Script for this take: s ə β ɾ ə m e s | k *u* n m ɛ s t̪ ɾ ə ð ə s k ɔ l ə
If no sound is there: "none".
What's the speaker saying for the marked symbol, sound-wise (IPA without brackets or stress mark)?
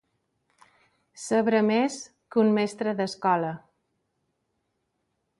u